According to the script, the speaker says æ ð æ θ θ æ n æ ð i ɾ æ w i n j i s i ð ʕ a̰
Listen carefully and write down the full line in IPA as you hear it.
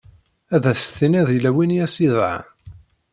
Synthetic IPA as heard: æ ð æ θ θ i n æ ð i l æ w i n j æ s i ð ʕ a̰